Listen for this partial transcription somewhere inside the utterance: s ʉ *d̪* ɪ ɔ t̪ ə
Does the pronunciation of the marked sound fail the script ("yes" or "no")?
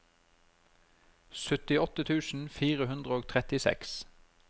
yes